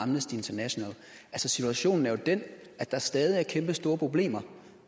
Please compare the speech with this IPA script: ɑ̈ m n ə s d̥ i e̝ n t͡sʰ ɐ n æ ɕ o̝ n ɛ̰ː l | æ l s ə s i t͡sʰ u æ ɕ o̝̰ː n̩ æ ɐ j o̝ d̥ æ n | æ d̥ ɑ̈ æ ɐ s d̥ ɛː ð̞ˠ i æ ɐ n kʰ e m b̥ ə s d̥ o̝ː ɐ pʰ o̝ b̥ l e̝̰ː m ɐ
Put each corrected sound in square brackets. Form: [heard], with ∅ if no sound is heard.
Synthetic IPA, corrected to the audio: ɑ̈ m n ə s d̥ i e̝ n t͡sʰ ɐ n æ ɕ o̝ n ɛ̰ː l | æ l s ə s i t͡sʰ u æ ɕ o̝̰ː n̩ æ ɐ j o̝ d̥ [e] n | æ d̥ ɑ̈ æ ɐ s d̥ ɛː ð̞ˠ i æ ɐ [∅] kʰ e m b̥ ə s d̥ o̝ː ɐ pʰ o̝ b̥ l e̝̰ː m ɐ